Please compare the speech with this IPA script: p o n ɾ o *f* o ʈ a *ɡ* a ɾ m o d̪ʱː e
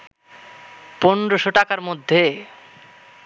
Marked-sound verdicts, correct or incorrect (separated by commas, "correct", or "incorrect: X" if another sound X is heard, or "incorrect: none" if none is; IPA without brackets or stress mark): incorrect: ʃ, incorrect: k